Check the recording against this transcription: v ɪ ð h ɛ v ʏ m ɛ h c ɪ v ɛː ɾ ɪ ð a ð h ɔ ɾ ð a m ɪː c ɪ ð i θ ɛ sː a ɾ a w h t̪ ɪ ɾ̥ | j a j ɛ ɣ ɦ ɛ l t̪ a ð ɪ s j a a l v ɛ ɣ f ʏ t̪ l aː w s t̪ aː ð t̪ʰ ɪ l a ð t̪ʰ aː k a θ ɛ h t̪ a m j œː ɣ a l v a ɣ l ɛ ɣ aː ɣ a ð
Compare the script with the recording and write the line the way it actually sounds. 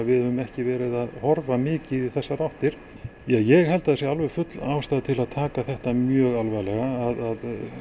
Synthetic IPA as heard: v ɪ ð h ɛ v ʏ m ɛ h c ɪ v ɛː ɾ ɪ ð a ð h ɔ ɾ v a m ɪː c ɪ ð i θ ɛ sː a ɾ a w h t̪ ɪ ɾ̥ | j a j ɛ ɣ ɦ ɛ l t̪ a ð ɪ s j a a l v ɛ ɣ f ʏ t̪ l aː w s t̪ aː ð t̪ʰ ɪ l a ð t̪ʰ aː k a θ ɛ h t̪ a m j œː ɣ a l v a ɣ l ɛ ɣ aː ð a ð

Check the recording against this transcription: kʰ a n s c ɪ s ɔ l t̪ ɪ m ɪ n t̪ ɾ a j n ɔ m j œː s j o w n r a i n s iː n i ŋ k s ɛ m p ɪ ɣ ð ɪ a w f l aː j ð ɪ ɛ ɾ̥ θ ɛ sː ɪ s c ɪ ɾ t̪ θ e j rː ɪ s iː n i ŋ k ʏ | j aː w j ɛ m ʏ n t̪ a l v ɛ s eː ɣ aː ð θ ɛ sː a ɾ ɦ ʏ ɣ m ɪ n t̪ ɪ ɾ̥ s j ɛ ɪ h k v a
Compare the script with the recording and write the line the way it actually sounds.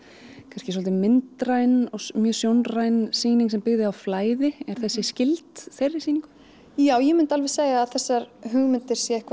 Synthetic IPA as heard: kʰ a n s c ɪ s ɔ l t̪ ɪ m ɪ n t̪ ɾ a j n ɔ m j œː s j o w n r a j n s iː n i ŋ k s ɛ m p ɪ ɣ ð ɪ a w f l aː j ð ɪ ɛ ɾ̥ θ ɛ sː ɪ s c ɪ l t̪ θ e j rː ɪ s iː n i ŋ k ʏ | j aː w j ɛ m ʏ n t̪ a l v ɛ s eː ɣ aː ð θ ɛ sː a ɾ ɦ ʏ ɣ m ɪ n t̪ ɪ ɾ̥ s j ɛ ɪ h k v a

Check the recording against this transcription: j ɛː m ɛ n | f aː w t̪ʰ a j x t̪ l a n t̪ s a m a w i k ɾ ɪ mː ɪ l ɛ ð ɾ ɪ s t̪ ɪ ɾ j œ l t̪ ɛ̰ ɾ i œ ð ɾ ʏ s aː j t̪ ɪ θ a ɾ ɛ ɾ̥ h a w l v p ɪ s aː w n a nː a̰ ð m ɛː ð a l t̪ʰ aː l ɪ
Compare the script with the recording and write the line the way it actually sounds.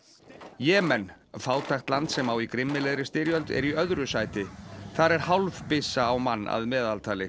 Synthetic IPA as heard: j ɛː m ɛ n | f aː w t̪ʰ a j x t̪ l a n t̪ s ɛ m a w i k ɾ ɪ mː ɪ l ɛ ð ɾ ɪ s t̪ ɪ ɾ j œ l t̪ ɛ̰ ɾ i œ ð ɾ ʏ s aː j t̪ ɪ θ a ɾ ɛ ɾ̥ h a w l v p ɪ s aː w m a nː a̰ ð m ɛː ð a l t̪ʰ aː l ɪ

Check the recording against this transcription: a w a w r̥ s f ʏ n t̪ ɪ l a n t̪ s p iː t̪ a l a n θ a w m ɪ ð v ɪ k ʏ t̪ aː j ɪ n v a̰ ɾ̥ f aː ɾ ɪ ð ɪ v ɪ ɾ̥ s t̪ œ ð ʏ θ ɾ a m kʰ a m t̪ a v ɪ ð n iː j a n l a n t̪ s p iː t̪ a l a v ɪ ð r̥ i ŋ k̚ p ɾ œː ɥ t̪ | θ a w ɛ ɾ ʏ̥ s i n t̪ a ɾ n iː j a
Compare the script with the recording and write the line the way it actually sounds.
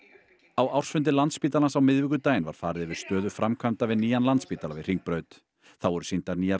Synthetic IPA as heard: a w a w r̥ s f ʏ n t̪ ɪ l a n t̪ s p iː t̪ a l a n s a w m ɪ ð v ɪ k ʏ t̪ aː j ɪ n v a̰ ɾ̥ f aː ɾ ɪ ð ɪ v ɪ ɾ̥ s t̪ œː ð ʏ f ɾ a m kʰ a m t̪ a v ɪ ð n iː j a n l a n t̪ s p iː t̪ a l a v ɪ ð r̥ i ŋ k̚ p ɾ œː ɥ t̪ | θ a w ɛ ɾ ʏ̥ s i n t̪ a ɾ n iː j a

